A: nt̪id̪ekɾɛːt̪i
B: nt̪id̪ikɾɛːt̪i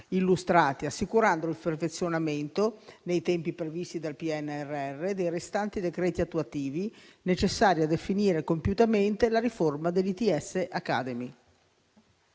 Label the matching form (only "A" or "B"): A